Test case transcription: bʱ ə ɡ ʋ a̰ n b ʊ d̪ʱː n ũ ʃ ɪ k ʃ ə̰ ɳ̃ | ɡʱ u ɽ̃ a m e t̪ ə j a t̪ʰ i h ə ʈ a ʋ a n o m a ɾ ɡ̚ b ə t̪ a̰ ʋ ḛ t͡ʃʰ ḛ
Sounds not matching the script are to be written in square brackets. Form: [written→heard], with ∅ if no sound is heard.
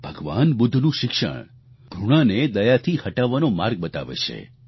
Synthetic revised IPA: bʱ ə ɡ ʋ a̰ n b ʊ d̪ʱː n ũ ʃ ɪ k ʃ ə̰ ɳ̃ | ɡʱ u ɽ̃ a [m→n] e [t̪→d̪] ə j a t̪ʰ i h ə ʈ a ʋ a n o m a ɾ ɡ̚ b ə t̪ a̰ ʋ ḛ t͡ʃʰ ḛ